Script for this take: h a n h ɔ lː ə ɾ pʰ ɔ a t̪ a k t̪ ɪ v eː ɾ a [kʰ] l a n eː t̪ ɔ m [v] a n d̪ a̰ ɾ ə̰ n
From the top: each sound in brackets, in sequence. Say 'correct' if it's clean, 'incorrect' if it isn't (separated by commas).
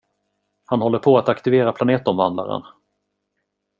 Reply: incorrect, correct